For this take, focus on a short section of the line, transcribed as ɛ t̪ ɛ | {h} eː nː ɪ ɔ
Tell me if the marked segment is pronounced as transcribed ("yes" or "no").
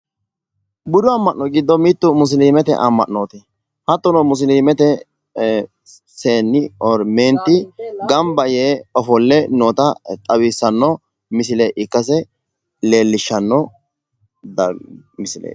no